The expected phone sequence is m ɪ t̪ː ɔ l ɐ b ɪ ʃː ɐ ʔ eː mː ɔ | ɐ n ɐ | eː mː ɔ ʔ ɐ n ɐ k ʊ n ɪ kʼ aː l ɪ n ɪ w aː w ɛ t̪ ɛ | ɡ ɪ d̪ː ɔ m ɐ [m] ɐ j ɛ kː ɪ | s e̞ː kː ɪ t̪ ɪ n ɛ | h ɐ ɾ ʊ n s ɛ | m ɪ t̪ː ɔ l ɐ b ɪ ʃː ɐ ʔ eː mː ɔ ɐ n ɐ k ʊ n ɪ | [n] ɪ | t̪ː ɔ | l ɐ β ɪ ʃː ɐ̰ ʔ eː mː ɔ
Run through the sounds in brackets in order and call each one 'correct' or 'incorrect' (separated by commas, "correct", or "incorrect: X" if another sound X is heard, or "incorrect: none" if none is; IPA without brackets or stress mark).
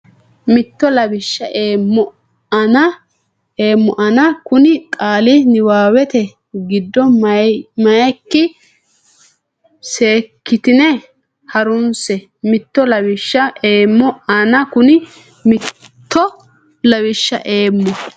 correct, incorrect: m